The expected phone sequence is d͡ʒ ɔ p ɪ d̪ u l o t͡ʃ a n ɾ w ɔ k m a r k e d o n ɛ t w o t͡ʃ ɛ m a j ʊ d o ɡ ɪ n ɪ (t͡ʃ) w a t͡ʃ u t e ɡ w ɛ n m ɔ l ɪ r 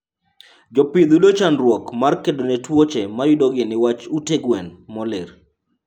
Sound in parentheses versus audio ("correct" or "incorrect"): incorrect